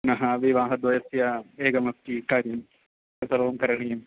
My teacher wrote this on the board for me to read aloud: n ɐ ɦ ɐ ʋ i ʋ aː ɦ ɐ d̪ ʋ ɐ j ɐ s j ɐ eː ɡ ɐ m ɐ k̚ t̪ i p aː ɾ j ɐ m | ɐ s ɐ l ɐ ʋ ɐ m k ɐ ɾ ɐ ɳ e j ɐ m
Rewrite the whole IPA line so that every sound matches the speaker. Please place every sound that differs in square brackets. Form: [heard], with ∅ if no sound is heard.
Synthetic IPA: n ɐ ɦ ɐ ʋ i ʋ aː ɦ ɐ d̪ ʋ ɐ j ɐ s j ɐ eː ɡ ɐ m ɐ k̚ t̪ i [k] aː ɾ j ɐ m | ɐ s ɐ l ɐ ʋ ɐ m k ɐ ɾ ɐ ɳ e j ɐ m

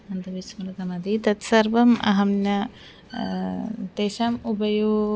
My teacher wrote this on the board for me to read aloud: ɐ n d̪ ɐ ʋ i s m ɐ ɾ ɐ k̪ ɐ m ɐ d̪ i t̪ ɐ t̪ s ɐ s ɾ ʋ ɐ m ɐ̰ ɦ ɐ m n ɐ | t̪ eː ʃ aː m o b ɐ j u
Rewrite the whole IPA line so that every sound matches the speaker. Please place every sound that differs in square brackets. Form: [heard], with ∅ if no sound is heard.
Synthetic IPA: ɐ n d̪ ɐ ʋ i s m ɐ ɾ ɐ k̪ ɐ m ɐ d̪ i t̪ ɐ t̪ s ɐ [∅] ɾ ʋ ɐ m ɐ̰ ɦ ɐ m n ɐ | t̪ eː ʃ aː m [u] b ɐ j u

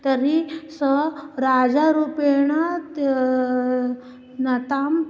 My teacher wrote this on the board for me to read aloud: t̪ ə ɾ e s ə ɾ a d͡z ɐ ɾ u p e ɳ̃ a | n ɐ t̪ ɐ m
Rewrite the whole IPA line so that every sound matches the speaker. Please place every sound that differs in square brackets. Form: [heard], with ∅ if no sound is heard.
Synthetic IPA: t̪ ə ɾ [i] s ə ɾ a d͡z [a] ɾ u p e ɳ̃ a | n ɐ t̪ [a] m

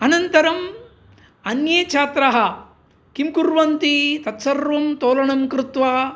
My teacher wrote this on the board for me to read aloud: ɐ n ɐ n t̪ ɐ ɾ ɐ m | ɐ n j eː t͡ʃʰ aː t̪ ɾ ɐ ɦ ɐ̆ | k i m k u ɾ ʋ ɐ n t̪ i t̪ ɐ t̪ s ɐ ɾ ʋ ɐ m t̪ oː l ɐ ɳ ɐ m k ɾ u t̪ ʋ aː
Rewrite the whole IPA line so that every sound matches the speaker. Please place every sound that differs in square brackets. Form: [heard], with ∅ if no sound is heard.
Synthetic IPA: ɐ n ɐ n t̪ ɐ ɾ ɐ m | ɐ n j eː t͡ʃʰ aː t̪ ɾ ɐ ɦ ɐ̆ | k i m k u ɾ ʋ ɐ n t̪ i t̪ ɐ t̪ s ɐ ɾ ʋ ɐ m t̪ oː l ɐ ɳ ɐ m k ɾ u t̪ ʋ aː

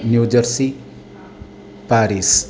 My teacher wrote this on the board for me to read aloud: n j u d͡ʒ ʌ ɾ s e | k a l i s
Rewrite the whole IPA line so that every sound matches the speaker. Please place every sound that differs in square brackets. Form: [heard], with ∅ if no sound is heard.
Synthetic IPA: n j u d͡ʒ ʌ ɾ s [i] | [p] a [ɾ] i s

